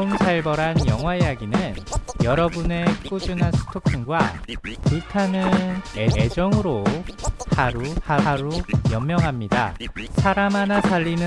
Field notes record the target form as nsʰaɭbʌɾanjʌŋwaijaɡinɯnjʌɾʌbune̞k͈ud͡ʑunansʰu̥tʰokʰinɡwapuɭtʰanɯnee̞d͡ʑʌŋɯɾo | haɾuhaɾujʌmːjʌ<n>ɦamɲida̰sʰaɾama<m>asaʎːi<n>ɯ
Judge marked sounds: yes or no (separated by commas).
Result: no, no, yes